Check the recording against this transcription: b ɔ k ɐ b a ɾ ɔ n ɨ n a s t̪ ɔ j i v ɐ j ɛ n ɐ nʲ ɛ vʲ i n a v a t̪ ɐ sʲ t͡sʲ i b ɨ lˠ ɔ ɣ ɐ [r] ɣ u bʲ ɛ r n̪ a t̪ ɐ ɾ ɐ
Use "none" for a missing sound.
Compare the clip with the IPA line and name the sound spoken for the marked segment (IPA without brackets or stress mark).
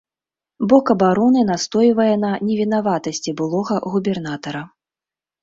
none